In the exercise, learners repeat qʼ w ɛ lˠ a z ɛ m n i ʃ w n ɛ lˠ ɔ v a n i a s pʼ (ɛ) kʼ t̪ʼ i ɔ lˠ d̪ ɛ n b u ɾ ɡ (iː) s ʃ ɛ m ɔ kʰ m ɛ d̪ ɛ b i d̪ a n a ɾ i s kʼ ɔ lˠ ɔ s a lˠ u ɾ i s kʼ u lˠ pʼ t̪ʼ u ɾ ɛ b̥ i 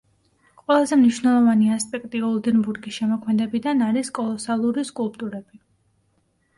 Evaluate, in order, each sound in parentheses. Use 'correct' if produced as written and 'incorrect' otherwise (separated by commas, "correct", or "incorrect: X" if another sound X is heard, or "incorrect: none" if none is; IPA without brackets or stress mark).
correct, incorrect: i